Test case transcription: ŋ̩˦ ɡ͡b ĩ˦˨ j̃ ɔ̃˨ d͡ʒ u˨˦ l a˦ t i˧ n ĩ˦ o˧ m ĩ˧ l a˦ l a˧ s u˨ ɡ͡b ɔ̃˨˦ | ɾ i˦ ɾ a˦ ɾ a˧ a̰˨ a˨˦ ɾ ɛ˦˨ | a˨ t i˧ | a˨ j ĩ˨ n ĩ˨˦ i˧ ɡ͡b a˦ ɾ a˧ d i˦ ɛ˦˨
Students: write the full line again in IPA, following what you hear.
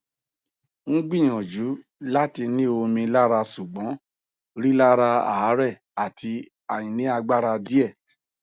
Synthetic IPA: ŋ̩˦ ɡ͡b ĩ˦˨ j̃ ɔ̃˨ d͡ʒ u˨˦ l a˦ t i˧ n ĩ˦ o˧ m ĩ˧ l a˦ ɾ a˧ s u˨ ɡ͡b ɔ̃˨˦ | ɾ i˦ l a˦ ɾ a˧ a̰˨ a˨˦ ɾ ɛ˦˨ | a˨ t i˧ | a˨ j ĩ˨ n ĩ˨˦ a˧ ɡ͡b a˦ ɾ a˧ d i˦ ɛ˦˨